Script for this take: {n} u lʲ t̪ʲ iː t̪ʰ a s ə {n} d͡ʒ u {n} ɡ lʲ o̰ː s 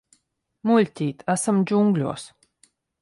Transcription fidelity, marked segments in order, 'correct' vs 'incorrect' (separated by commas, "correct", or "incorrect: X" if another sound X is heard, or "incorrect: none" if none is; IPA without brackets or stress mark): incorrect: m, incorrect: m, incorrect: ŋ